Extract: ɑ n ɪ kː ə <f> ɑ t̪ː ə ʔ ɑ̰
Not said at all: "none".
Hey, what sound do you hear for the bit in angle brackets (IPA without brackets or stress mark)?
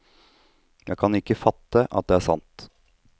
f